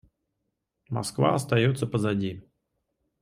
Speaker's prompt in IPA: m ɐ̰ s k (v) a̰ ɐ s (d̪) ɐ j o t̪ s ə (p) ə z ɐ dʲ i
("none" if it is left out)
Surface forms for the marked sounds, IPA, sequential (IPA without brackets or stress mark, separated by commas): v, t̪, p